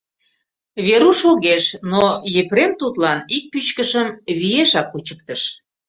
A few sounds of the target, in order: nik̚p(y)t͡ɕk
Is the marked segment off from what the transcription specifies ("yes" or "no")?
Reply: no